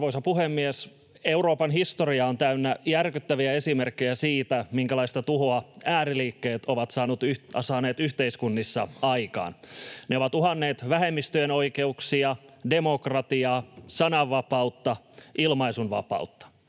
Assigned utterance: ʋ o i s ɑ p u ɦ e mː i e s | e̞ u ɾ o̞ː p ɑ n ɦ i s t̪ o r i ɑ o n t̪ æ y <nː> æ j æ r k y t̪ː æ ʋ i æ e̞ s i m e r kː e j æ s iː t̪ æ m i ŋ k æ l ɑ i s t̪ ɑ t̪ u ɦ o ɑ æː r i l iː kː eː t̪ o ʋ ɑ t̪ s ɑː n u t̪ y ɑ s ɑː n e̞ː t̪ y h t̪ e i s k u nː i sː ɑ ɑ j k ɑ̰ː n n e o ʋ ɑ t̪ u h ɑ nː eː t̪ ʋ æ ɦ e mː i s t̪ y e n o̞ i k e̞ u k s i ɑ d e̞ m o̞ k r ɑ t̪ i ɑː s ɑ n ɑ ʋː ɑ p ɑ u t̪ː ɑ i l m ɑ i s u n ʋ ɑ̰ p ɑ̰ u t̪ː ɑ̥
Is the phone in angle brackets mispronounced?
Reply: no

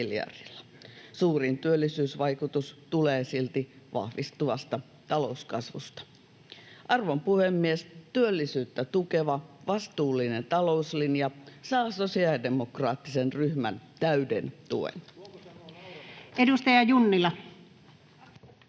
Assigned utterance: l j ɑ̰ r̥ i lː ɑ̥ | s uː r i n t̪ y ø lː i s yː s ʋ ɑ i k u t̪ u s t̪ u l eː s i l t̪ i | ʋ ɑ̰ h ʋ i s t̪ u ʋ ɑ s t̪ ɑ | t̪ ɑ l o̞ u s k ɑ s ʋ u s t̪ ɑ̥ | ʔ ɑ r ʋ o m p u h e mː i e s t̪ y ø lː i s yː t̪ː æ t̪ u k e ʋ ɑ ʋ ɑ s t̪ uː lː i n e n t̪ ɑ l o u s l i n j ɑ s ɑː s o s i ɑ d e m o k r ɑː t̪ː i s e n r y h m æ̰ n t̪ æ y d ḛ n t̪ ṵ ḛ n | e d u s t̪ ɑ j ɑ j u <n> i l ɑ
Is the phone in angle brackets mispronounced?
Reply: yes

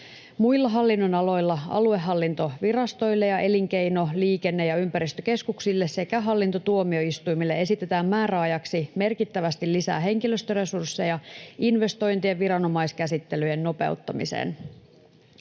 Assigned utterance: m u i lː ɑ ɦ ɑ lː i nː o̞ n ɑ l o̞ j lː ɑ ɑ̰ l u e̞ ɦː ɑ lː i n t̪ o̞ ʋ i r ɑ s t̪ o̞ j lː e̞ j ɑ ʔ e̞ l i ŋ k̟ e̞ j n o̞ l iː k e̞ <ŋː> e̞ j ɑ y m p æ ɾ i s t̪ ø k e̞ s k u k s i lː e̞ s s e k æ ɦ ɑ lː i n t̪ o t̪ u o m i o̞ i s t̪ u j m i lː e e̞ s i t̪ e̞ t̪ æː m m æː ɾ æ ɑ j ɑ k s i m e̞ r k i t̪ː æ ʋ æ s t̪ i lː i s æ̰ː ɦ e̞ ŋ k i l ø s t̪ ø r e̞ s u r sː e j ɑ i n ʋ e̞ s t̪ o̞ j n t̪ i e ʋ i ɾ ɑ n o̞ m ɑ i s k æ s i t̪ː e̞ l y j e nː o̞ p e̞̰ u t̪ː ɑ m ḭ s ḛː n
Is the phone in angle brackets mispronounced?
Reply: yes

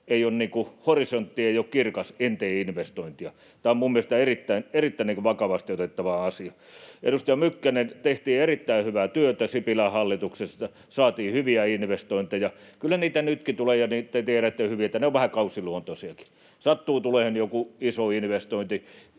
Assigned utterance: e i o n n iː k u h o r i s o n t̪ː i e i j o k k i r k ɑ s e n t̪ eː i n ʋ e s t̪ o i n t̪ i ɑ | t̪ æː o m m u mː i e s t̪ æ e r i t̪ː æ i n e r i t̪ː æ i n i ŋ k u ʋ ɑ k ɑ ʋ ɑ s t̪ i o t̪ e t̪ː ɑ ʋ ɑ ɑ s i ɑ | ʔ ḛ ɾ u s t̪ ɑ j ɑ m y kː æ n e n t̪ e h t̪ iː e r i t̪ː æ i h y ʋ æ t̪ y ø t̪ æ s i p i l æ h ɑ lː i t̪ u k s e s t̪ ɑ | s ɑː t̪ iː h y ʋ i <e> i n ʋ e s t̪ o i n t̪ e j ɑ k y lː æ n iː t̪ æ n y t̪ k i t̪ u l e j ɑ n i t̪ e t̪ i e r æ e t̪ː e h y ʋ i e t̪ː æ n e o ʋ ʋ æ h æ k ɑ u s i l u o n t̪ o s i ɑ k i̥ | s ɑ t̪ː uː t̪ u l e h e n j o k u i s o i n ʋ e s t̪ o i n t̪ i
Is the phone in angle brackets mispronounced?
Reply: yes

